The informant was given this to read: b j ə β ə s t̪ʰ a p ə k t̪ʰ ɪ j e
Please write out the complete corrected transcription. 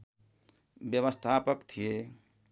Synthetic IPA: b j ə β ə s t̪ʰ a p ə k t̪ʰ i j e